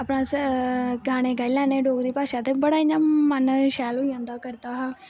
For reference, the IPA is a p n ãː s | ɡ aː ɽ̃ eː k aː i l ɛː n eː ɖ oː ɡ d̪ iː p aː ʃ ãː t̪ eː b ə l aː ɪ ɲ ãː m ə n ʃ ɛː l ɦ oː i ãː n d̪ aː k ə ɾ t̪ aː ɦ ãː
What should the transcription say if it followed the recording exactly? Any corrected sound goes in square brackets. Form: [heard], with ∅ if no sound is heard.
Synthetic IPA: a p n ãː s | ɡ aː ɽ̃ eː [ɡ] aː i l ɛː n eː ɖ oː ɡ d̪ iː p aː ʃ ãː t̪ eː b ə [ɽ] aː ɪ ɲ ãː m ə n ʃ ɛː l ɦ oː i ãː n d̪ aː k ə ɾ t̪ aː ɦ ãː